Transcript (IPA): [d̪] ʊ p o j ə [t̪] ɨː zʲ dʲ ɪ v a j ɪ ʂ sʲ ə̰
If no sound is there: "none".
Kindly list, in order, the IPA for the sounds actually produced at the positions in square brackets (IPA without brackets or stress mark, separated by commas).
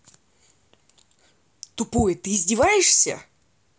t̪, t̪